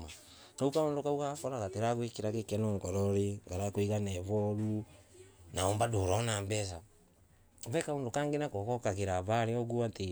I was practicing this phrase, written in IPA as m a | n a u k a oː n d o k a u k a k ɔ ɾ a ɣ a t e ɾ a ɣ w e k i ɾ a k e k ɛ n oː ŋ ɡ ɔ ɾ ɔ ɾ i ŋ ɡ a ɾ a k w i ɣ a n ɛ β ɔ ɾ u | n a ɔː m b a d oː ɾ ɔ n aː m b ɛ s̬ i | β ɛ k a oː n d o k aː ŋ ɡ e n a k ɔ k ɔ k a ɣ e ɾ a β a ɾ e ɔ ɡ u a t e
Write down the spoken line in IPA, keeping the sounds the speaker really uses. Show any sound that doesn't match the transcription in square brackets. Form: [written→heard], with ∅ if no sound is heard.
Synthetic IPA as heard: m a | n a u k a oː n d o k a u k a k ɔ ɾ a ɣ a t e ɾ a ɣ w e k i ɾ a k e k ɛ n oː ŋ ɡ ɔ ɾ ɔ ɾ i ŋ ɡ a ɾ a k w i ɣ a n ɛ β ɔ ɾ u | n a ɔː m b a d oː ɾ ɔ n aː m b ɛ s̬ [i→a] | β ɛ k a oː n d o k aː ŋ ɡ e n a k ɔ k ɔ k a ɣ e ɾ a β a ɾ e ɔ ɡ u a t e